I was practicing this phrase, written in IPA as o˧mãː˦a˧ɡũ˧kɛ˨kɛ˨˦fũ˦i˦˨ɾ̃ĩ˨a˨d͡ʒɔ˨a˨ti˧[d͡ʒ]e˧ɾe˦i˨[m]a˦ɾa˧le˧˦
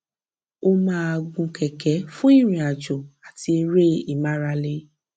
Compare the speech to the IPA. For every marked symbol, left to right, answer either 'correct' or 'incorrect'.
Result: incorrect, correct

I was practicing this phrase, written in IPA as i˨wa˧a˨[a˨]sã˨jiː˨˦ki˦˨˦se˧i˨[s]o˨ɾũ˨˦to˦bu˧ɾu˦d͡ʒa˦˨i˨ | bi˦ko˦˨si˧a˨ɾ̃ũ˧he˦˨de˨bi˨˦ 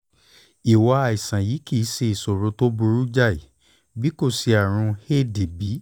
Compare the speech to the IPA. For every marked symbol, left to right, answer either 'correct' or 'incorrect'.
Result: incorrect, correct

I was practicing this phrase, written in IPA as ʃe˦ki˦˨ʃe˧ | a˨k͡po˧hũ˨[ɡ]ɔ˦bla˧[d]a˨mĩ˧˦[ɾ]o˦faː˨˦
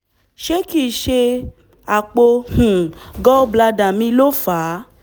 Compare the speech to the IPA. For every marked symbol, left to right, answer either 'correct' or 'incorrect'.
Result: correct, correct, incorrect

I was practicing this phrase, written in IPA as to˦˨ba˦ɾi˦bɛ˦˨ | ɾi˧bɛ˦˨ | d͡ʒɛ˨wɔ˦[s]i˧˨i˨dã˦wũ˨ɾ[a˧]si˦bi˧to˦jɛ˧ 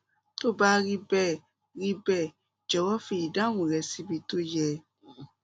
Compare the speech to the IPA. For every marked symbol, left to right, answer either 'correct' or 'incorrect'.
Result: incorrect, incorrect

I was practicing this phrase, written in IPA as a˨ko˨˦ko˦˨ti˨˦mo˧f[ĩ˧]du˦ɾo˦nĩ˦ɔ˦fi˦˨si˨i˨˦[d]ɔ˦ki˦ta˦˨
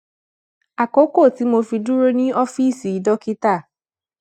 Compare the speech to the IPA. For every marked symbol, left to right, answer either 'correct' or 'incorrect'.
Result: incorrect, correct

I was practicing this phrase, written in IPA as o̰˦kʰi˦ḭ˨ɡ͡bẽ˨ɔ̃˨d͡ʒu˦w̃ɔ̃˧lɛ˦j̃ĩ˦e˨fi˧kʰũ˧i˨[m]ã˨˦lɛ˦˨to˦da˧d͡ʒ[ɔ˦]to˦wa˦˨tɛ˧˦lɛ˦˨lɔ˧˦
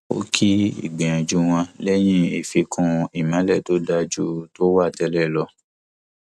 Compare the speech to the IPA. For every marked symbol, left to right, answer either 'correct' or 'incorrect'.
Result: correct, incorrect

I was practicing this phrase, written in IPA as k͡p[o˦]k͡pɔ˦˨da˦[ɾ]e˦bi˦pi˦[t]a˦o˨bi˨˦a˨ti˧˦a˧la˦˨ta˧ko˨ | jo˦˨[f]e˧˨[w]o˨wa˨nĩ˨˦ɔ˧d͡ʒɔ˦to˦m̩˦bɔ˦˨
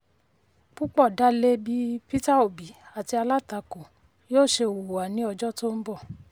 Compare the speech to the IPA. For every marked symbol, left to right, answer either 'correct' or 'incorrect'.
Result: incorrect, incorrect, correct, incorrect, correct

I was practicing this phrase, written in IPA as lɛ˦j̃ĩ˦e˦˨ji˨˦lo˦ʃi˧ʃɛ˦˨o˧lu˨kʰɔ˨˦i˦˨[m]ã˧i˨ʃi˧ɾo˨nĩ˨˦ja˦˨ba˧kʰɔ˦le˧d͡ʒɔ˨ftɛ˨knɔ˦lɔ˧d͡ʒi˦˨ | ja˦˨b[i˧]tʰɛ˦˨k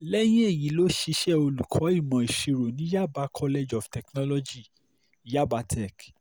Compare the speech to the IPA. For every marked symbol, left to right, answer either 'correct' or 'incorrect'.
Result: correct, incorrect

